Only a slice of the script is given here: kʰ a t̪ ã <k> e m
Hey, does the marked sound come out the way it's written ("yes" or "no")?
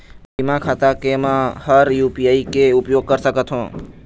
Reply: yes